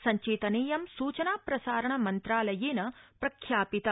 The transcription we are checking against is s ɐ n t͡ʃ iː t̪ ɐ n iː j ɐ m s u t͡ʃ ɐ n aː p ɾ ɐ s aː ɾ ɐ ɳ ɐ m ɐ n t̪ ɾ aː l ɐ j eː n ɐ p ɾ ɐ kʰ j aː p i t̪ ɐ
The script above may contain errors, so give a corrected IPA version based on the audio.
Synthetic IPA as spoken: s ɐ ɲ t͡ʃ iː t̪ ɐ n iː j ɐ m s uː t͡ʃ ɐ n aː p ɾ ɐ s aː ɾ ɐ ɳ ɐ m ɐ n t̪ ɾ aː l ɐ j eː n ɐ p ɾ ɐ kʰ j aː p i t̪ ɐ